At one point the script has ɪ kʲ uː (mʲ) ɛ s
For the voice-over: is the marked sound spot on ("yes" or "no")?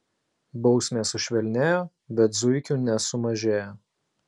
no